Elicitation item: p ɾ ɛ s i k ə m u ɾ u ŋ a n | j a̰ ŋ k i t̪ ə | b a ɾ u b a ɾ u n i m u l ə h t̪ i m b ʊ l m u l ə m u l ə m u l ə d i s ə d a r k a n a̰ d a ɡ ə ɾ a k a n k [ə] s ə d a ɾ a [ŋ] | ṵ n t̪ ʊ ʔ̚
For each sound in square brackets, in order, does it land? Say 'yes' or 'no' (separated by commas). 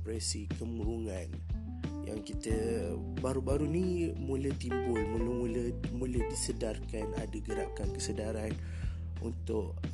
yes, no